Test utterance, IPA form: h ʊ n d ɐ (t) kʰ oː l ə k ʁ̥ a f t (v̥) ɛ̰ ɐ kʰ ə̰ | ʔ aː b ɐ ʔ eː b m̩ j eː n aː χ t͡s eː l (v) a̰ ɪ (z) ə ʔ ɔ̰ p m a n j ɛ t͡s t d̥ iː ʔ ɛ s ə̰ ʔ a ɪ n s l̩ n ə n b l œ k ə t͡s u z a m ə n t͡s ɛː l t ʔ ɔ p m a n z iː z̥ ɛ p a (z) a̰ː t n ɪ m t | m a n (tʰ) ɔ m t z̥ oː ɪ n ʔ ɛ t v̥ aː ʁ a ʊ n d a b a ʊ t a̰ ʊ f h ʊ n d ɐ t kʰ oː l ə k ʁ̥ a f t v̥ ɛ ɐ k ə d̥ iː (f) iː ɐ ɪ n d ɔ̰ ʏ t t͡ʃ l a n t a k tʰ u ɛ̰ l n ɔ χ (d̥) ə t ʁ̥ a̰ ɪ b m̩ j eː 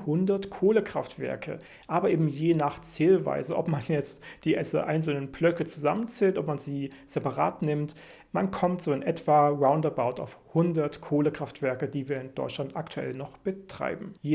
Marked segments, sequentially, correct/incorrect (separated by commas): correct, correct, correct, correct, incorrect, incorrect, incorrect, incorrect